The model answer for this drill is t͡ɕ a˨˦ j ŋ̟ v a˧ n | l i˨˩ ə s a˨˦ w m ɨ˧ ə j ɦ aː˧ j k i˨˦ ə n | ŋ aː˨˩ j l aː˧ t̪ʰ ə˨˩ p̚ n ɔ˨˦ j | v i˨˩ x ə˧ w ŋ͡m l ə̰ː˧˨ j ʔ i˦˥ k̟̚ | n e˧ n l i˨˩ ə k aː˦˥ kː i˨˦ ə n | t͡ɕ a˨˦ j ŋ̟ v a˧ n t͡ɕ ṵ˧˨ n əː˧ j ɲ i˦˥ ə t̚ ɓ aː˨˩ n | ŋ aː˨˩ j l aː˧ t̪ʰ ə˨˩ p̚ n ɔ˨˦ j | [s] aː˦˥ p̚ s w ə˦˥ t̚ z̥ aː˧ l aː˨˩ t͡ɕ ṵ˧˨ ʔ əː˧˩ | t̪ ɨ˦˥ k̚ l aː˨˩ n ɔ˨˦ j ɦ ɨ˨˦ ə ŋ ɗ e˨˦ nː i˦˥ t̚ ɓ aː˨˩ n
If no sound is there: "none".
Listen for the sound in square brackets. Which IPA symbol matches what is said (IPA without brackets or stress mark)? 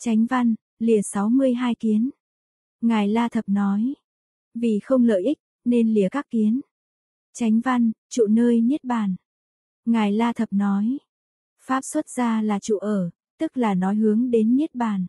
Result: f